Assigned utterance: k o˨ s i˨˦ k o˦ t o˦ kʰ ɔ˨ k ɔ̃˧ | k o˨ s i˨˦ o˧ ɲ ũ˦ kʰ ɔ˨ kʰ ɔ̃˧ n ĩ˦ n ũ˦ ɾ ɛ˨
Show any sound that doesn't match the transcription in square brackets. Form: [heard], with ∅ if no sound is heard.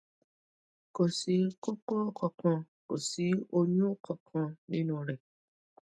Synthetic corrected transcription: k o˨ s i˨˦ k o˦ [k] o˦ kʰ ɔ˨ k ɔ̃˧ | k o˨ s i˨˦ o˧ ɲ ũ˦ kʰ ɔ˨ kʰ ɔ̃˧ n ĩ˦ n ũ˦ ɾ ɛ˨